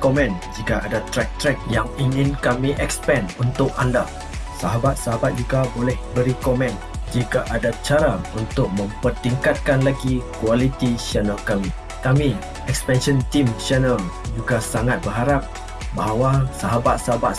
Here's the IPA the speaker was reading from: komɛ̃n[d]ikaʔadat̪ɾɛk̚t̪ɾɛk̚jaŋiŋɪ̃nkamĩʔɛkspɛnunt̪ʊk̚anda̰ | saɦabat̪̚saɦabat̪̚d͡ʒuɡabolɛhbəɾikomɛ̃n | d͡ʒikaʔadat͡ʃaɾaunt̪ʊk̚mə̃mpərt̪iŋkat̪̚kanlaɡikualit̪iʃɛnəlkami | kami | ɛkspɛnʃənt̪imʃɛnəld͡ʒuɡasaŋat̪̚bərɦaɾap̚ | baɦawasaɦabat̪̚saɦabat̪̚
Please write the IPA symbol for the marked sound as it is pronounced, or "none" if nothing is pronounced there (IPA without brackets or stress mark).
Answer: d͡ʒ